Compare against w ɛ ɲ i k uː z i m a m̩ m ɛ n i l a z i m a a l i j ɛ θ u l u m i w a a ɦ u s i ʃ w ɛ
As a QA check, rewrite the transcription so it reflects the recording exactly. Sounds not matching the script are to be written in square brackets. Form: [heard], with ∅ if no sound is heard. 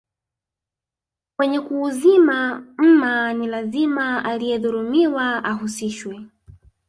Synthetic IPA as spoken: w ɛ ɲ [ɛ] k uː z i m a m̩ m [a] n i l a z i m a a l i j ɛ [ð] u [ɾ] u m i w a a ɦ u s i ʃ w ɛ